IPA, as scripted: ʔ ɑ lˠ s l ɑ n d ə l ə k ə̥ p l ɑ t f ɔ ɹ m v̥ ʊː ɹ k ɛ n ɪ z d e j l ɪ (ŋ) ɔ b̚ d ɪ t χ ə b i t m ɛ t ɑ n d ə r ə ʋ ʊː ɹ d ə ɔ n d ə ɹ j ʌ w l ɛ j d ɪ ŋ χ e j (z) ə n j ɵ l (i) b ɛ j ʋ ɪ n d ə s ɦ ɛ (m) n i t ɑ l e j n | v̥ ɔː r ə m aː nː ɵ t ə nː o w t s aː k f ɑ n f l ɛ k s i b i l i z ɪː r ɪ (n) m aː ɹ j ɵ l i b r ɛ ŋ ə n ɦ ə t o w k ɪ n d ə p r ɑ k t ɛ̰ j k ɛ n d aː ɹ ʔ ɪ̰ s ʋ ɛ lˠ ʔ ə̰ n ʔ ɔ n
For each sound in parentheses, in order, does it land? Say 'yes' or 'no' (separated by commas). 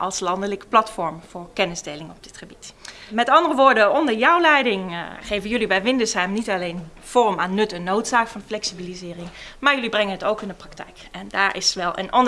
yes, no, yes, yes, no